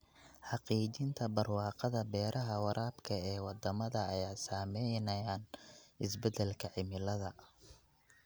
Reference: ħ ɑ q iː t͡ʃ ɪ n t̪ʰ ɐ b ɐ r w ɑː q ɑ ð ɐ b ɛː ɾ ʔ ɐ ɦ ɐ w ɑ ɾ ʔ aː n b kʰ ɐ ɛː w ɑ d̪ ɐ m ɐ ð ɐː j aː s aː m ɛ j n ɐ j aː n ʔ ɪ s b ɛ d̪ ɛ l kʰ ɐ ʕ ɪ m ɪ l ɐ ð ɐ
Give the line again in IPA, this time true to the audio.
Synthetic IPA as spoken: ħ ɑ q iː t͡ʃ ɪ n t̪ʰ ɐ b ɐ r w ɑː q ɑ ð ɐ b ɛː ɾ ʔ ɐ ɦ ɐ w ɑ ɾ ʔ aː b kʰ ɐ ɛː w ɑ d̪ ɐ m ɐ ð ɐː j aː s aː m ɛ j n ɐ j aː n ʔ ɪ s b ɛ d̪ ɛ l kʰ ɐ ʕ ɪ m ɪ l ɐ ð ɐ